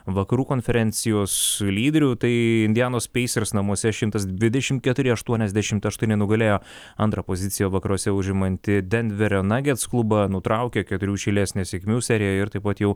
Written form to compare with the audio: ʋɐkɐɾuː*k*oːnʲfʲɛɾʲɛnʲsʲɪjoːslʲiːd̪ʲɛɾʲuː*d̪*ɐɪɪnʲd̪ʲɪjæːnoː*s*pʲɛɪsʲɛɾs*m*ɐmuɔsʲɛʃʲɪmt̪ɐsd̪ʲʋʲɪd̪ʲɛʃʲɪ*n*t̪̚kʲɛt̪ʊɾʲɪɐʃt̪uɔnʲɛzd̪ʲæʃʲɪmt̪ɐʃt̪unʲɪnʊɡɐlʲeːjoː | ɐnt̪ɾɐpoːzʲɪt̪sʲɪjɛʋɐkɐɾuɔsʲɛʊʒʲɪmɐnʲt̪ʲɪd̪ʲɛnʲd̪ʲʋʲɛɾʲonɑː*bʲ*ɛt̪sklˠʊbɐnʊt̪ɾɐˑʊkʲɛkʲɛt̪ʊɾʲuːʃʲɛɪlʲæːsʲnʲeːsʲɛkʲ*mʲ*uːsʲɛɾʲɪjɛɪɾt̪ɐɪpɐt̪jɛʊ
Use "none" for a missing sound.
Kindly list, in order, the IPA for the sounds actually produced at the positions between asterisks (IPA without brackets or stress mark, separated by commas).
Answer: k, t̪, s, n, m, ɡʲ, mʲ